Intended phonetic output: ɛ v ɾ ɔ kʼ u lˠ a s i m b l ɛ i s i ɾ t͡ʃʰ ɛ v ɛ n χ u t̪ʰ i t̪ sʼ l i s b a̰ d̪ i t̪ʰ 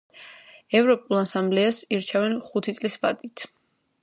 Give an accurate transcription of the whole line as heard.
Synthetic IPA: ɛ v ɾ ɔ pʼ u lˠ a s a m b l ɛ a s i ɾ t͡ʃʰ ɛ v ɛ n χ u t̪ʰ i t̪ sʼ l i s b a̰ d̪ i t̪ʰ